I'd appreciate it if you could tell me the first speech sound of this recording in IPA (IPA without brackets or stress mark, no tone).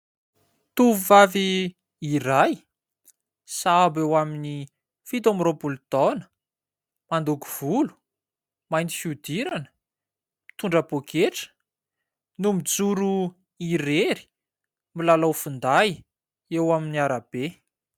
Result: t̪